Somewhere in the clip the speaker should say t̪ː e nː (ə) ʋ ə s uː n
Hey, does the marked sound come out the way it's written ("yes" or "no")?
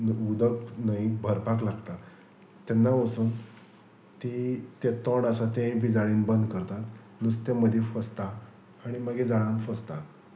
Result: no